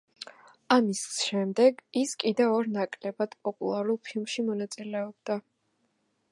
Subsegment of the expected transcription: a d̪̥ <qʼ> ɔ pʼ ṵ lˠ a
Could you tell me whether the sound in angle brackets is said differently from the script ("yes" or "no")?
yes